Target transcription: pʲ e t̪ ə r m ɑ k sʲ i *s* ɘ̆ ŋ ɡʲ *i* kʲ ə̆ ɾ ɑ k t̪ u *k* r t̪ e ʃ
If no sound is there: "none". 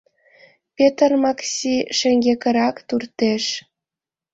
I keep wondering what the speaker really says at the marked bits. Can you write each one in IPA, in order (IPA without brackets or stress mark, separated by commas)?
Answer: ʃ, e, none